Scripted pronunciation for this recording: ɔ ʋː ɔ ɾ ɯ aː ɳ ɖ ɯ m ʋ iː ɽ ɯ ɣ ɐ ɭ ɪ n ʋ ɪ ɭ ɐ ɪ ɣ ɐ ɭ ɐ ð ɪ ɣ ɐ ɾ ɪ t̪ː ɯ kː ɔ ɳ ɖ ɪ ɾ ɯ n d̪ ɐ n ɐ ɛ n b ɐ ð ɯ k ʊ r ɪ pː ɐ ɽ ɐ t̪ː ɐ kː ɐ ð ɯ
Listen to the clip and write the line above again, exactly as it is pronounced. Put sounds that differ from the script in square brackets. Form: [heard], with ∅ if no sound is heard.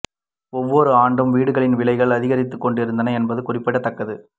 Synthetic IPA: ɔ ʋː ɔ ɾ ɯ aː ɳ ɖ ɯ m ʋ iː ɽ ɯ ɣ ɐ ɭ ɪ n ʋ ɪ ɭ ɐ ɪ ɣ ɐ ɭ ɐ ð ɪ ɣ ɐ ɾ ɪ t̪ː ɯ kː ɔ ɳ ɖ ɪ ɾ ɯ n d̪ ɐ n ɐ ɛ n b ɐ ð ɯ k ʊ r ɪ pː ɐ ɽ ɐ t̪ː ɐ kː ɐ ð ɯ